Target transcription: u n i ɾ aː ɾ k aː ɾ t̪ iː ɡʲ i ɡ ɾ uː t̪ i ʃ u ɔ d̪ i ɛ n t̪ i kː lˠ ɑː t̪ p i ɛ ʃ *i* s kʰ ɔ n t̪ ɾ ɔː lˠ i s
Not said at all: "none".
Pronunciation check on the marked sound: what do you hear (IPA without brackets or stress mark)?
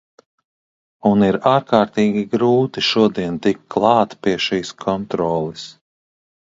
iː